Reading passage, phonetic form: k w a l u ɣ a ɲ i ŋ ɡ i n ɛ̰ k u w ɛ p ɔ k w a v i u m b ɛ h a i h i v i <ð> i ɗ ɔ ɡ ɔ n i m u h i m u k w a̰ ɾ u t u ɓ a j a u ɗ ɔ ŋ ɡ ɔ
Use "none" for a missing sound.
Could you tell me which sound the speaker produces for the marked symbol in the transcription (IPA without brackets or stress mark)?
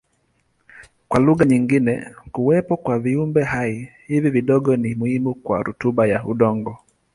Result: v